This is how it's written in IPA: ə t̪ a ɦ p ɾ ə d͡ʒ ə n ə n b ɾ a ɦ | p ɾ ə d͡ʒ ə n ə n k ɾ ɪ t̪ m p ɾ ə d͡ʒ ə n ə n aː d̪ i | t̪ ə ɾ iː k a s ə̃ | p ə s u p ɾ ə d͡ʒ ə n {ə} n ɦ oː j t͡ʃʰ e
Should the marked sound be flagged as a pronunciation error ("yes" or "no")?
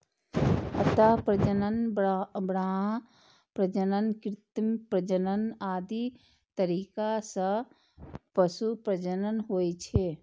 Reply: no